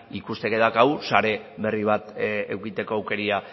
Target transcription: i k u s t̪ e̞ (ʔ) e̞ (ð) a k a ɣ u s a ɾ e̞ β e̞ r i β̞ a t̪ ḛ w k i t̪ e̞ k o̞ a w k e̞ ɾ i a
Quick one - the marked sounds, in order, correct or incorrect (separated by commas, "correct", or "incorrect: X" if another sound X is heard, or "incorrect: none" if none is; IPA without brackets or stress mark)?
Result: incorrect: k, correct